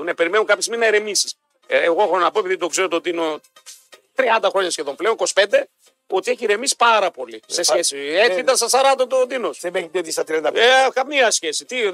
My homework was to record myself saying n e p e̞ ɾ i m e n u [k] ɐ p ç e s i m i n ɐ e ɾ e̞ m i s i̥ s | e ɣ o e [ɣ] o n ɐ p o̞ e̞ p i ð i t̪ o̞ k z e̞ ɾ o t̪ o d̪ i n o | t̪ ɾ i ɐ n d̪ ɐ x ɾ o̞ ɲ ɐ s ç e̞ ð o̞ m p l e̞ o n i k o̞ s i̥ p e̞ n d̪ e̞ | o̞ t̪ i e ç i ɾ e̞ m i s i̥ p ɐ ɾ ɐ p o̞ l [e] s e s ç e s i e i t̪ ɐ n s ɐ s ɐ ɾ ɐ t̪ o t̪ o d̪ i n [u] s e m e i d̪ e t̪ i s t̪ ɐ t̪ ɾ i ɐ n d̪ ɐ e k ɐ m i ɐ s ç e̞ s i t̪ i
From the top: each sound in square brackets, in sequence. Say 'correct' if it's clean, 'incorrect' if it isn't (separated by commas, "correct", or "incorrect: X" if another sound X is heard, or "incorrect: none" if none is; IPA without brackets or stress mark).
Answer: correct, incorrect: x, incorrect: i, incorrect: o